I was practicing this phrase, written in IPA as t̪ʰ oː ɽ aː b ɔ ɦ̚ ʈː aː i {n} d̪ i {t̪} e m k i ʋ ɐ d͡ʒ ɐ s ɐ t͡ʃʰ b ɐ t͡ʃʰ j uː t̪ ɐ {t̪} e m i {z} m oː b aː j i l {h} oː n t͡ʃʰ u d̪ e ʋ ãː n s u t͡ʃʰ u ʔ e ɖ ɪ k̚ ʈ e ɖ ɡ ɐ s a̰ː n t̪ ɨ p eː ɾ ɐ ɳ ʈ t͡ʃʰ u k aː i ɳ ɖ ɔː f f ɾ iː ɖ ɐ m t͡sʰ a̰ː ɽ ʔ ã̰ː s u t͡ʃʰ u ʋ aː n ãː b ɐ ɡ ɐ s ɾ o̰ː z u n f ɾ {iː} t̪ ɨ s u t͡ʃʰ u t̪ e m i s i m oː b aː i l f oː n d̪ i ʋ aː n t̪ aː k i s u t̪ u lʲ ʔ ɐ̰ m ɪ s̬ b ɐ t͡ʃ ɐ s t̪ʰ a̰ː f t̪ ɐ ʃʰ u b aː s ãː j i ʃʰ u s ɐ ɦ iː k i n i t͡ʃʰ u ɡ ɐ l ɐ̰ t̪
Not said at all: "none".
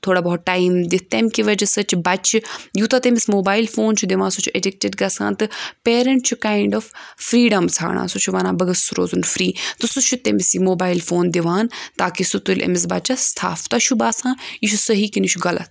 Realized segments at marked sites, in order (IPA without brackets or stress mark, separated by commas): m, t̪, t̪, s, f, iː